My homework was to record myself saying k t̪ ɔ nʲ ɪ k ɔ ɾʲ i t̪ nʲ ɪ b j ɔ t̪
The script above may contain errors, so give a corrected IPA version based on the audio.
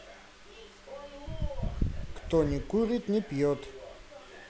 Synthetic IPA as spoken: k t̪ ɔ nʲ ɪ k u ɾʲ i t̪ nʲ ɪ p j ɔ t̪